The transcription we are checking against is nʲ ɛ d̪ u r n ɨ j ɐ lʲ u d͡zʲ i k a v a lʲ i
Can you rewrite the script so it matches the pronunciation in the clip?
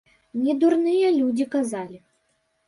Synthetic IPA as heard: nʲ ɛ d̪ u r n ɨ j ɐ lʲ u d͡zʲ i k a z a lʲ i

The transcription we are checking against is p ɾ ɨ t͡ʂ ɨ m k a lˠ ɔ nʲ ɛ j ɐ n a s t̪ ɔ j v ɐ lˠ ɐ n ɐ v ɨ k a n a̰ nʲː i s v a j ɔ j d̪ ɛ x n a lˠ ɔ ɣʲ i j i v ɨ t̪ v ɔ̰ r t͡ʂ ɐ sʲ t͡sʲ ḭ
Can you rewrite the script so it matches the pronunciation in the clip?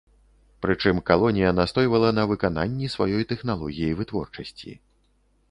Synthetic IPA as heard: p ɾ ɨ t͡ʂ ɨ m k a lˠ ɔ nʲ i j ɐ n a s t̪ ɔ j v ɐ lˠ ɐ n ɐ v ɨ k a n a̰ nʲː i s v a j ɔ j t̪ ɛ x n a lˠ ɔ ɣʲ i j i v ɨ t̪ v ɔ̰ r t͡ʂ ɐ sʲ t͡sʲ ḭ

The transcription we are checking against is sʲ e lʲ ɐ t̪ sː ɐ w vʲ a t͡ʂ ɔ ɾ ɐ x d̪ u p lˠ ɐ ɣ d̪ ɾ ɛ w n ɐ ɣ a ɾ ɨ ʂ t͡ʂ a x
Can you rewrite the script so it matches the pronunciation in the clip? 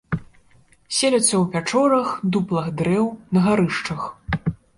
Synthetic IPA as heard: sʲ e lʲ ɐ t̪ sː ɐ w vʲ a t͡ʂ ɔ ɾ ɐ x d̪ u p lˠ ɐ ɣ d̪ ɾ ɛ w n ɐ ɣ a ɾ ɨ ʂ t͡ʂ ɐ x

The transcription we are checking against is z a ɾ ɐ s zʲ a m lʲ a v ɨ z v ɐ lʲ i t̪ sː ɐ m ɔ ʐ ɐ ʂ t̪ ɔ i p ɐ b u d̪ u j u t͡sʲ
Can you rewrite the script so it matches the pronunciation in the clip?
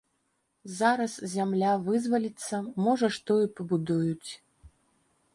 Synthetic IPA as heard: z a ɾ ɐ s zʲ a m lʲ a v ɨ z v ɐ lʲ i t̪ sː ɐ m ɔ ʐ ɐ ʂ t̪ ɔ i p ɐ b u d̪ u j u t͡sʲ

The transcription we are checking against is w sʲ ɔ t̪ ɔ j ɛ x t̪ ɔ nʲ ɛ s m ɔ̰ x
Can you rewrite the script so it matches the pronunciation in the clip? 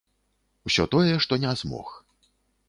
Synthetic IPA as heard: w sʲ ɔ t̪ ɔ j ɛ ʂ t̪ ɔ nʲ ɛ z m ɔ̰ x

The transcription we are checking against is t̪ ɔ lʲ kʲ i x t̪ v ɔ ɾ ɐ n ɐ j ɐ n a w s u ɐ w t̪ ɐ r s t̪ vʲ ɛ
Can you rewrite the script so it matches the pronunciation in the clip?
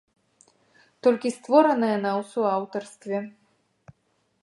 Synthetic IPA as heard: t̪ ɔ lʲ kʲ i s t̪ v ɔ ɾ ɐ n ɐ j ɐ n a w s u a w t̪ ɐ r s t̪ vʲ ɛ

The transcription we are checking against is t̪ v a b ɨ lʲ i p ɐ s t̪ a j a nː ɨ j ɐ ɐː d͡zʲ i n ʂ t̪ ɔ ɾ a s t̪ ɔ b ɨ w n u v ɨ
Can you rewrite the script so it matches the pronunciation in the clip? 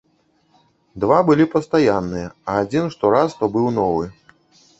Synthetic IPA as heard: d̪ v a b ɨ lʲ i p ɐ s t̪ a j a nː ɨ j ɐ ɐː d͡zʲ i n ʂ t̪ ɔ ɾ a s t̪ ɔ b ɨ w n ɔ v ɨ

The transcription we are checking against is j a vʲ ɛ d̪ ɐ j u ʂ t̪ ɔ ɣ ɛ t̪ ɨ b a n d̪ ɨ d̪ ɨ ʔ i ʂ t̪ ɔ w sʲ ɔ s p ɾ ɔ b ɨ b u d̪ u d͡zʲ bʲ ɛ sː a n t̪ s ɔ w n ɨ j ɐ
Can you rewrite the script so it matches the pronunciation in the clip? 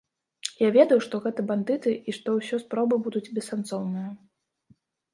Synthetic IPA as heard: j a vʲ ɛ d̪ ɐ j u ʂ t̪ ɔ ɣ ɛ t̪ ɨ b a n d̪ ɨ t̪ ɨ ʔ i ʂ t̪ ɔ w sʲ ɔ s p ɾ ɔ b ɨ b u d̪ u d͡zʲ bʲ ɛ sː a n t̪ s ɔ w n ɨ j ɐ

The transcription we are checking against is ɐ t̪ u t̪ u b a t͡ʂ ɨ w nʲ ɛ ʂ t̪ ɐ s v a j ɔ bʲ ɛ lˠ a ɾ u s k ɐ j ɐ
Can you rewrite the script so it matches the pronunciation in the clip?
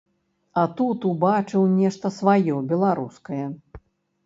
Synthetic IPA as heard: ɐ t̪ u t̪ u b a t͡ʂ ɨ w nʲ ɛ ʂ t̪ ɐ s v a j ɔ bʲ ɛ lˠ a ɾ u s k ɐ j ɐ

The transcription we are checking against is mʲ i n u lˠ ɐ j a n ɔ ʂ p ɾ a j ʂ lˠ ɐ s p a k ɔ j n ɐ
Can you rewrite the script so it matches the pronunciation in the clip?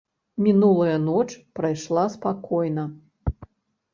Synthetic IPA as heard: mʲ i n u lˠ ɐ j ɐ n ɔ t͡ʂ p ɾ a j ʂ lˠ a s p a k ɔ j n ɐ

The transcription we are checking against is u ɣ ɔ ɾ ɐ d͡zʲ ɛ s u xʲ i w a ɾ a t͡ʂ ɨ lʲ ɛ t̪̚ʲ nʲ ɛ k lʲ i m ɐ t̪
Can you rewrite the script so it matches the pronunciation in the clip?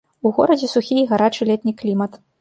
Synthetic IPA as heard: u ɣ ɔ ɾ ɐ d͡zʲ ɛ s u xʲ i ɣ a ɾ a t͡ʂ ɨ lʲ ɛ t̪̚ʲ nʲ i k lʲ i m ɐ t̪

